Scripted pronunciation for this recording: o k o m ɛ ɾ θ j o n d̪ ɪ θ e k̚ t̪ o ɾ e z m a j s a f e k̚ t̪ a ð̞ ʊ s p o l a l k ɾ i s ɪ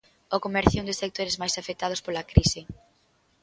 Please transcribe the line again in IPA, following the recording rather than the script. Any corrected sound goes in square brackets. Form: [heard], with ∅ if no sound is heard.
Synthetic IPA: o k o m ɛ ɾ θ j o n d̪ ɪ [s] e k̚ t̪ o ɾ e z m a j s a f e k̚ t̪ a ð̞ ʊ s p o l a [∅] k ɾ i s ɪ